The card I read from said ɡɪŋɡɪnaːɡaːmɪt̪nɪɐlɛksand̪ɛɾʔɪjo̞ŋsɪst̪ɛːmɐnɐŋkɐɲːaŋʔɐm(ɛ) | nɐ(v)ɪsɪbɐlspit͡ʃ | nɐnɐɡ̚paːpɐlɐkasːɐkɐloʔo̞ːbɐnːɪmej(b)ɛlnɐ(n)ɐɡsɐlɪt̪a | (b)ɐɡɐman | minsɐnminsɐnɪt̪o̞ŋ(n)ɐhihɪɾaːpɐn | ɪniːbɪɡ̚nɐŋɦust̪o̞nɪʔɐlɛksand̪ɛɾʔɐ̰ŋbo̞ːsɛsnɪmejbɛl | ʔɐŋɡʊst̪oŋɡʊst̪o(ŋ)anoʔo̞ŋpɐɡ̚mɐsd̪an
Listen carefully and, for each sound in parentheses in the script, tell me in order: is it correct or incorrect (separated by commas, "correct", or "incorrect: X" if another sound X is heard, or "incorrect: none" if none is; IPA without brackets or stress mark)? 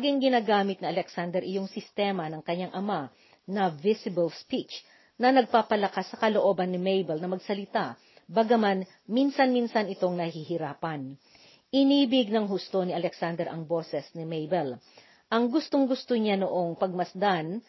incorrect: a, correct, correct, incorrect: m, correct, correct, incorrect: ɲ